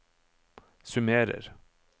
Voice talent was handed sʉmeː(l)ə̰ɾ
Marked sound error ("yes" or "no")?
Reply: yes